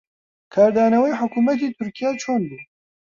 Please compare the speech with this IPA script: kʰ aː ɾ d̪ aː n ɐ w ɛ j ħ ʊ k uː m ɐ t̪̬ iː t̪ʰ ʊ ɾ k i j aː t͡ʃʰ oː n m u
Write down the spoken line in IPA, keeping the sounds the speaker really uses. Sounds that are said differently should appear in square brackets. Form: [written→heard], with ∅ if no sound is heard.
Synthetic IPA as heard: kʰ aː ɾ d̪ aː n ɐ w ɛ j ħ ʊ k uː m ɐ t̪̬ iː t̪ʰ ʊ ɾ k i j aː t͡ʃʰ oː n [m→b] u